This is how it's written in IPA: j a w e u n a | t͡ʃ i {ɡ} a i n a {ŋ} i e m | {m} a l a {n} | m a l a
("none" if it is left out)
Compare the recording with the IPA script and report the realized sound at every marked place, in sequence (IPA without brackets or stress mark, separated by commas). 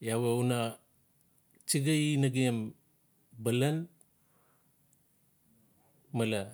ɡ, ɡ, b, n